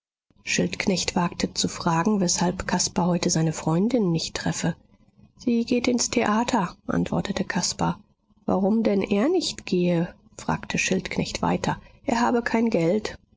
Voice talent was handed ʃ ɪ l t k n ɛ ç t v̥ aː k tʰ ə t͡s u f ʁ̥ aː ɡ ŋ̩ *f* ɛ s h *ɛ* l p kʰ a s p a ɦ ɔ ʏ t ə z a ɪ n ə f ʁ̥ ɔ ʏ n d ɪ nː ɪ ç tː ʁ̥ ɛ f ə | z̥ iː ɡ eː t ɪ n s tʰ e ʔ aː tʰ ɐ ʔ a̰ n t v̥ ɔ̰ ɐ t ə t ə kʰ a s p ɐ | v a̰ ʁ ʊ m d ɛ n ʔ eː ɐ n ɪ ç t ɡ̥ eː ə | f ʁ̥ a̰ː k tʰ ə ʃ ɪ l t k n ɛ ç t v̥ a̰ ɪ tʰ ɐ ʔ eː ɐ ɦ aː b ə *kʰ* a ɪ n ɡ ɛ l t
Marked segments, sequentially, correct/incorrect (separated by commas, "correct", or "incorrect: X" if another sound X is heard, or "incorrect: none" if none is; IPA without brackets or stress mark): incorrect: v, incorrect: a, correct